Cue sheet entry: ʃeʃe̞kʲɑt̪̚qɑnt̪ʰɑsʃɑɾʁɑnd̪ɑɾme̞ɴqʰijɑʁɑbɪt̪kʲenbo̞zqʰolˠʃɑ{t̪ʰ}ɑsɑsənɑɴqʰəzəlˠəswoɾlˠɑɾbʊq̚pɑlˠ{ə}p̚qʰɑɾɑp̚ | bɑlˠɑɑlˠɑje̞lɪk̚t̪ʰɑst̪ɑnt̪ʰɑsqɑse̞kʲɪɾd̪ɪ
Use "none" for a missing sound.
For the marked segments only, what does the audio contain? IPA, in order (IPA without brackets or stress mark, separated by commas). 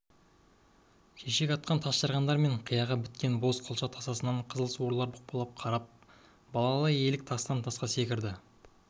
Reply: t̪ʰ, ɑ